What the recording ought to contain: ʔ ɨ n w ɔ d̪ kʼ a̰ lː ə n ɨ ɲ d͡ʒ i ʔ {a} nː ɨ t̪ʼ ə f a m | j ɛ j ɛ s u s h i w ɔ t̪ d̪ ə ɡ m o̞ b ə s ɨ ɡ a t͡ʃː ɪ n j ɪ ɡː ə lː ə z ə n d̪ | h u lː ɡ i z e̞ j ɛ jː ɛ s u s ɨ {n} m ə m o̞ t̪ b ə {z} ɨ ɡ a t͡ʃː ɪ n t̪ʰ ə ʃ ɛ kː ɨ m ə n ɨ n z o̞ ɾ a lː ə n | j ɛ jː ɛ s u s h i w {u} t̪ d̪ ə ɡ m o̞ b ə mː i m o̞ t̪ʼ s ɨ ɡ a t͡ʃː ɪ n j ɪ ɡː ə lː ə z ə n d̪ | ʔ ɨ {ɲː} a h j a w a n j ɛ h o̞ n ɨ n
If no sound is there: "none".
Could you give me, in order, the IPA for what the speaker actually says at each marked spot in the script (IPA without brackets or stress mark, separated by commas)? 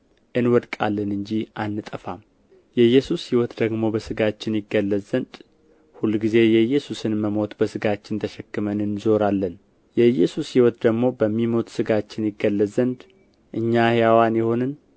a, n, s, ɔ, ɲː